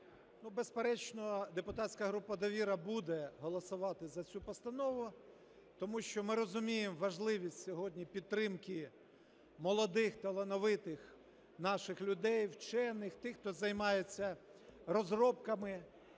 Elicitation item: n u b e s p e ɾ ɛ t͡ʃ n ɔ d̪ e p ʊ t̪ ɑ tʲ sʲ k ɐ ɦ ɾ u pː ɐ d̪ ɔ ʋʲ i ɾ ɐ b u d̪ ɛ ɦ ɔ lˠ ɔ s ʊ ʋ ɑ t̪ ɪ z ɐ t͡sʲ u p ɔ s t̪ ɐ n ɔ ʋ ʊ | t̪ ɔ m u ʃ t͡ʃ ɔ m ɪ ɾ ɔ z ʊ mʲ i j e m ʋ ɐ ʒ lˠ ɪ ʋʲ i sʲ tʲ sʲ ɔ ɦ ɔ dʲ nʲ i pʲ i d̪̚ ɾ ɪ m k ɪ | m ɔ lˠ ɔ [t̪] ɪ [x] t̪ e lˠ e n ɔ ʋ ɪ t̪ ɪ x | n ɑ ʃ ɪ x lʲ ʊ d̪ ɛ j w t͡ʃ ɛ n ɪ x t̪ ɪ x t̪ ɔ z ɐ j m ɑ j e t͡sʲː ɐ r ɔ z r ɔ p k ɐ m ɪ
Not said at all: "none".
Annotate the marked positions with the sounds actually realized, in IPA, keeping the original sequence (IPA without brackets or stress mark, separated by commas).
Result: d̪, x